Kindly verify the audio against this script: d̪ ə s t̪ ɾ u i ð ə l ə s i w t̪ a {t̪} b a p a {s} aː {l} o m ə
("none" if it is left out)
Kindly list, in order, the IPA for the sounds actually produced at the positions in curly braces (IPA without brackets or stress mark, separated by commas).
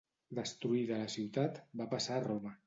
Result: t̪, s, r